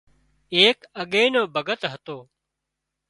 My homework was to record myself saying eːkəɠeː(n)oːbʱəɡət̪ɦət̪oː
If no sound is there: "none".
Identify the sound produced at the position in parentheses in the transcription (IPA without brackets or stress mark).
n